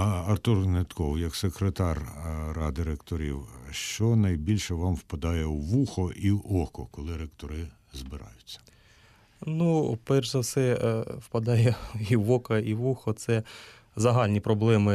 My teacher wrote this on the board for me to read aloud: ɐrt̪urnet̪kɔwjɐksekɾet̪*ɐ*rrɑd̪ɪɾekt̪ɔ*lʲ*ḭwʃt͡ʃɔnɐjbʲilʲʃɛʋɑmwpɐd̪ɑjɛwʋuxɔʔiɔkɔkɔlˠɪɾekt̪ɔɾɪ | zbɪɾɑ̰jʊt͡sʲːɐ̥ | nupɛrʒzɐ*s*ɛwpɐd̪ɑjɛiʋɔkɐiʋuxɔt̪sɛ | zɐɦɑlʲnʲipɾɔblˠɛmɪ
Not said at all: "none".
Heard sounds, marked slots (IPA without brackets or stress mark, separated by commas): ɑ, ɾʲ, s